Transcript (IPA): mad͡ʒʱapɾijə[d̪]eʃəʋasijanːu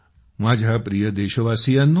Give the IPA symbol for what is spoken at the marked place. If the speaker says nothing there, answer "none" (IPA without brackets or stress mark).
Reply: d̪